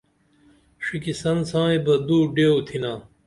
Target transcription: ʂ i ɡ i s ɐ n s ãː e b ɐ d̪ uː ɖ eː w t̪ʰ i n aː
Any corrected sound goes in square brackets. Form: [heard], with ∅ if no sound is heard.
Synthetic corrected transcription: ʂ i [k] i s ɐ n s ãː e b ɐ d̪ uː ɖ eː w t̪ʰ i n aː